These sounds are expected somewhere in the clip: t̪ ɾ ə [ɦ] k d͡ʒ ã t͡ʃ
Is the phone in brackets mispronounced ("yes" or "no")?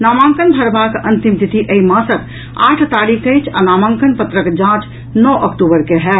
yes